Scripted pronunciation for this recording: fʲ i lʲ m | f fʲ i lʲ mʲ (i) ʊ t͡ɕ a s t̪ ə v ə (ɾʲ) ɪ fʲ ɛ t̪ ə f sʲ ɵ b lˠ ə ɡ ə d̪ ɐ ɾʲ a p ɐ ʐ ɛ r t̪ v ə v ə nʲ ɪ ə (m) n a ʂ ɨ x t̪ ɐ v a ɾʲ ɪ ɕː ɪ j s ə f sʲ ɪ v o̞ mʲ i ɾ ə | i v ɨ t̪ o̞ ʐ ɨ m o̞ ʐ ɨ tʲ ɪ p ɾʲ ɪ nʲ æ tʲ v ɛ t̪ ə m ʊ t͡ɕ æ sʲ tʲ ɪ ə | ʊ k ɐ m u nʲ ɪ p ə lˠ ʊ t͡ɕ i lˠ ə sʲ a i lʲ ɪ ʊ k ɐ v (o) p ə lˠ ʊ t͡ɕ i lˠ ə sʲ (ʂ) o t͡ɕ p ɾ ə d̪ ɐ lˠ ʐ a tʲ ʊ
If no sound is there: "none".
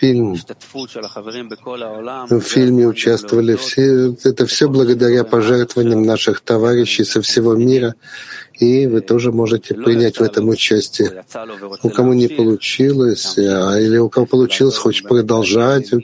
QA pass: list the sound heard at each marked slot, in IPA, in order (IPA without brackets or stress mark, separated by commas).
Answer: ɪ, lʲ, m, o, x